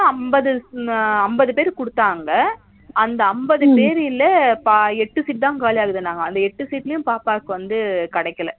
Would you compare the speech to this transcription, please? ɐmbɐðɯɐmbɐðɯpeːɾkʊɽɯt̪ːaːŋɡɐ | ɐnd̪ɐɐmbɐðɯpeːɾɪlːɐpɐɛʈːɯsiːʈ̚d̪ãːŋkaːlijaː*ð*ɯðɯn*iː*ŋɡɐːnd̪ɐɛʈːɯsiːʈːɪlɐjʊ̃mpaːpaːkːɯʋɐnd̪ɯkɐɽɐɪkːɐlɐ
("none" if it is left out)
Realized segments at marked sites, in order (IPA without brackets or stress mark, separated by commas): ɣ, aː